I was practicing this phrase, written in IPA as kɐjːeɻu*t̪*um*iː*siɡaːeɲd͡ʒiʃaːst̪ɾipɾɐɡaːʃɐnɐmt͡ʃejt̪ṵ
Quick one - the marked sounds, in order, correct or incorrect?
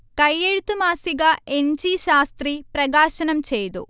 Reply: correct, incorrect: aː

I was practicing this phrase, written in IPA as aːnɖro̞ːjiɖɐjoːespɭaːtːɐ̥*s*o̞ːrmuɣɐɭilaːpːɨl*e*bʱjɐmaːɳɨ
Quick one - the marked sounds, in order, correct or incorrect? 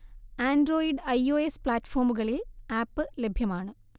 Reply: incorrect: f, correct

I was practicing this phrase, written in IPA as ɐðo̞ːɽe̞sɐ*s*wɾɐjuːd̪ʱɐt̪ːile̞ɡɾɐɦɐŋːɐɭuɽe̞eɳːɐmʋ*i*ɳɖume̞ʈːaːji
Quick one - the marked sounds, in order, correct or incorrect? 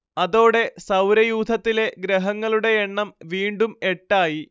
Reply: incorrect: none, incorrect: iː

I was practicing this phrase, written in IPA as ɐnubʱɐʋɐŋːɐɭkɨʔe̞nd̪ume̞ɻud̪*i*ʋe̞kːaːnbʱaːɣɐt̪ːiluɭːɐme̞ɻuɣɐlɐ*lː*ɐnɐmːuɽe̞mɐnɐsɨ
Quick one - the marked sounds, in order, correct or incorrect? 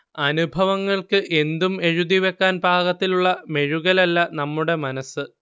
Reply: correct, correct

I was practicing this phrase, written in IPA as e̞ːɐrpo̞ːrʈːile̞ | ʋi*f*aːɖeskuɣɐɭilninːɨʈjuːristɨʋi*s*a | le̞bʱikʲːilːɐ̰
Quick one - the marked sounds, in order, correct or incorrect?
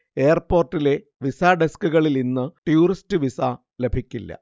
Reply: incorrect: s, correct

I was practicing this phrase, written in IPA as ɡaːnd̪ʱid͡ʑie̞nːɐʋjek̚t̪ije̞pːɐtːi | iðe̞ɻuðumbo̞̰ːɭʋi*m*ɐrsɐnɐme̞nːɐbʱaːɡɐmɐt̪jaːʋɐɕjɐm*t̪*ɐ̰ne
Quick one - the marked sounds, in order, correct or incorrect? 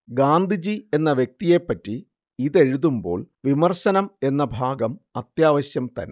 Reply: correct, correct

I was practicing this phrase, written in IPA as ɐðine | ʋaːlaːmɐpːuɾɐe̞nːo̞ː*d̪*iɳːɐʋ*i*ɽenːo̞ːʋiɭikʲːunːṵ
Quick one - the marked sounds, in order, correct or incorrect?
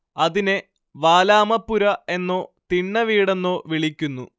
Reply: incorrect: t̪, incorrect: iː

